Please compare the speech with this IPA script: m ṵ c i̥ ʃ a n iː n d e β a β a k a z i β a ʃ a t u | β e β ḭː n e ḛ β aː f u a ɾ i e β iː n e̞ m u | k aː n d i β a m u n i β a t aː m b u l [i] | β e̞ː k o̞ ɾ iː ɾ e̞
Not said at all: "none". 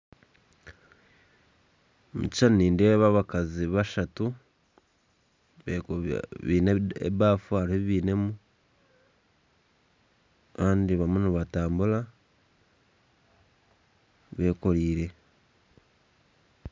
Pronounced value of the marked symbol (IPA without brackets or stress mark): a